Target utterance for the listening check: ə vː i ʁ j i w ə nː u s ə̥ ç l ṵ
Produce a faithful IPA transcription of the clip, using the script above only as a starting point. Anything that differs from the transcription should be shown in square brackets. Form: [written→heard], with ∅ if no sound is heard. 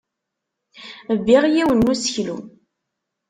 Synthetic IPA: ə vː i ʁ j i w ə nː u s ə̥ ç l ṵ